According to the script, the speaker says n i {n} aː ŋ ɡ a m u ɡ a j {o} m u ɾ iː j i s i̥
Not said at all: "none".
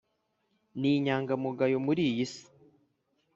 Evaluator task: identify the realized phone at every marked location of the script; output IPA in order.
ɲ, o

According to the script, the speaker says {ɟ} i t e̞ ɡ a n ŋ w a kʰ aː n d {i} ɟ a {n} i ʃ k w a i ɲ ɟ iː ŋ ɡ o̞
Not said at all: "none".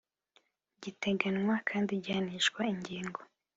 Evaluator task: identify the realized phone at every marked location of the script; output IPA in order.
ɟ, i, n

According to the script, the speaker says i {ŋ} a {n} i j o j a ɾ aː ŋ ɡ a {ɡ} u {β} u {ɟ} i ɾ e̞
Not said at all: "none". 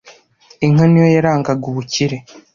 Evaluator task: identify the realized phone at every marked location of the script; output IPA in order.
ŋ, n, ɡ, β, c

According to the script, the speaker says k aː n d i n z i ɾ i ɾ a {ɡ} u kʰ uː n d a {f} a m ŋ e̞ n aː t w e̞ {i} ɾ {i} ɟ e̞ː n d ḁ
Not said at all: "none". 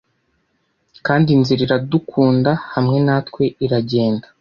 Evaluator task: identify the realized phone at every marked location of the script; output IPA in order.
d, h, i, a

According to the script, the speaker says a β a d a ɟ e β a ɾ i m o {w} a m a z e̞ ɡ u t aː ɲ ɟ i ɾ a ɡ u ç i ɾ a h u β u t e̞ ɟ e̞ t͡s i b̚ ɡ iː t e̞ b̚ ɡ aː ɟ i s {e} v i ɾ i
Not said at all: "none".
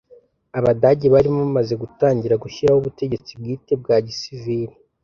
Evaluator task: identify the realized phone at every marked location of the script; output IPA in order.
β, i

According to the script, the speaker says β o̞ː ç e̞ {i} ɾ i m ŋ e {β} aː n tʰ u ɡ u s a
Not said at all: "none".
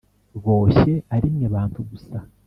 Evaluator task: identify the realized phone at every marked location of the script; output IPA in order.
a, β

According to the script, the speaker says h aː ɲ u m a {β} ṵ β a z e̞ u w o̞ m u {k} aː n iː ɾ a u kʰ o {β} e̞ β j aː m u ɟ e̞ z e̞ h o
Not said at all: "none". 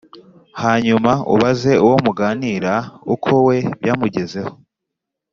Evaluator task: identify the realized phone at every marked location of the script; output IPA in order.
none, ɡ, w

